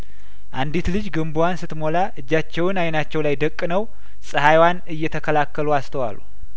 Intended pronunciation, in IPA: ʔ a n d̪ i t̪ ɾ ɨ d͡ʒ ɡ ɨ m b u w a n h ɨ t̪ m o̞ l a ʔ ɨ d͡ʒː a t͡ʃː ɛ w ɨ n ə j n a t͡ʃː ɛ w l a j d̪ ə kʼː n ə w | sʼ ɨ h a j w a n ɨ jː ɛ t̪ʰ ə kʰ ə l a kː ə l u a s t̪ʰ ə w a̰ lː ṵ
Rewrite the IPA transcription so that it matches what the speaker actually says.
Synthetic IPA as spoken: ʔ a n d̪ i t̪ l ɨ d͡ʒ ɡ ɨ m b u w a n s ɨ t̪ m o̞ l a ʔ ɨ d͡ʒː a t͡ʃː ɛ w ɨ n a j n a t͡ʃː ɛ w l a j d̪ ə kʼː n ə w | sʼ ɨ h a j w a n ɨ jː ɛ t̪ʰ ə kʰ ə l a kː ə l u a s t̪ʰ ə w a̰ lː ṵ